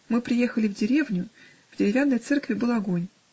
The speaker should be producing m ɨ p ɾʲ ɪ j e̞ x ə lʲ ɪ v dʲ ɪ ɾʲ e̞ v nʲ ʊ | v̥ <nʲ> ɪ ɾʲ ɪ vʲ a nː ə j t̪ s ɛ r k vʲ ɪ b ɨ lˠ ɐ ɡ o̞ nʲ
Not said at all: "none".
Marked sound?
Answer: dʲ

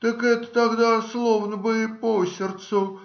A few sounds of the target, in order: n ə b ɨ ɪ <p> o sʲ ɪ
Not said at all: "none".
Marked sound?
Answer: p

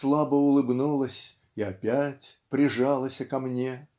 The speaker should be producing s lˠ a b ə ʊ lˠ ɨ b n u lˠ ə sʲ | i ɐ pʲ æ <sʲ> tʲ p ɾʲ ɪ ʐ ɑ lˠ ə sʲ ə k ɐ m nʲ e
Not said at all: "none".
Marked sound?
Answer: none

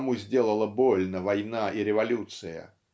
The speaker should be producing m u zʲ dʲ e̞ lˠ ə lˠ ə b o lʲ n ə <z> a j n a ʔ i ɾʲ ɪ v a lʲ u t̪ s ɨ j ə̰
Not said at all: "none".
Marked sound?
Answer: v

